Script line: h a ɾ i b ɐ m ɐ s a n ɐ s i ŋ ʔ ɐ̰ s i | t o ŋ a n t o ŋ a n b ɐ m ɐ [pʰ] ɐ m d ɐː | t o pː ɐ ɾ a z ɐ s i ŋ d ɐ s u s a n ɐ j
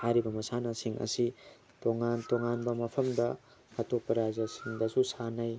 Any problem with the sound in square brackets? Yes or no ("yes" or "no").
no